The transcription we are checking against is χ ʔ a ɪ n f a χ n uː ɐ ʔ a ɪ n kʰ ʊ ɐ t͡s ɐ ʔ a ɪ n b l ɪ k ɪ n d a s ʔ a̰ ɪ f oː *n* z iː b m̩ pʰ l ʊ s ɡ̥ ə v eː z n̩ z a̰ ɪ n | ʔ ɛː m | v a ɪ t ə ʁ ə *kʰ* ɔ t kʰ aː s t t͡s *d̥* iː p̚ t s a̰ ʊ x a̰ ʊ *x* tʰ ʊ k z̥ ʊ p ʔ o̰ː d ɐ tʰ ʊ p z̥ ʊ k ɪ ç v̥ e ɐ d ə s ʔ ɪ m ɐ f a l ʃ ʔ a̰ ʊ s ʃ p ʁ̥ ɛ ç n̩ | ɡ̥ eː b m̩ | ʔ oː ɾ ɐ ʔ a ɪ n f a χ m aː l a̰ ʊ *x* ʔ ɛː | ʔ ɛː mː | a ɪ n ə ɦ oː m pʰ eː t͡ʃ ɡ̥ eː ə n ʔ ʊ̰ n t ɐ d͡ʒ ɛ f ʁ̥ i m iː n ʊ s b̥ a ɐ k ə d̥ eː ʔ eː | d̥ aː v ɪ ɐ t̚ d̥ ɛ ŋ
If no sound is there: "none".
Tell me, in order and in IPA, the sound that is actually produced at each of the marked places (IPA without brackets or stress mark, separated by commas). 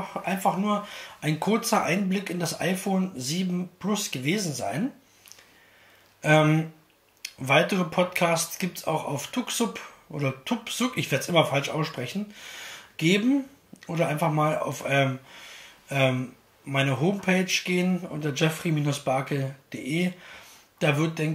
n, pʰ, ɡ̥, f, f